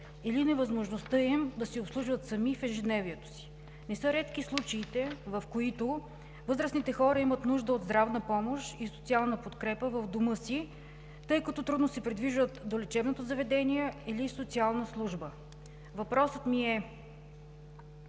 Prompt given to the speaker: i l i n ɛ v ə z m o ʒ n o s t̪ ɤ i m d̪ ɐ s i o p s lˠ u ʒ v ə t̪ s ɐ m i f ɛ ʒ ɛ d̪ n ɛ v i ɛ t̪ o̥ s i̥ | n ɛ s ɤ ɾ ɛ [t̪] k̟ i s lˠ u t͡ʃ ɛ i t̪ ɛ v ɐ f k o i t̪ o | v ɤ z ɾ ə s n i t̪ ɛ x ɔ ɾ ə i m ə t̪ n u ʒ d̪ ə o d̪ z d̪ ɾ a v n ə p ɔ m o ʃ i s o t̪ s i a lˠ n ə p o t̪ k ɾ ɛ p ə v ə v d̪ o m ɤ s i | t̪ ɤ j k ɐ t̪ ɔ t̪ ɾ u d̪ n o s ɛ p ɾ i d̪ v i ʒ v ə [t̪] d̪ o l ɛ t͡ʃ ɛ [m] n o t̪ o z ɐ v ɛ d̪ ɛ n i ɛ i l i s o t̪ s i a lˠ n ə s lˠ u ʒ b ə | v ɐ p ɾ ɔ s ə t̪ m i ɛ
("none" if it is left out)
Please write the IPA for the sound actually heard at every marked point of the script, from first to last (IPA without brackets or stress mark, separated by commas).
t̪, t̪, b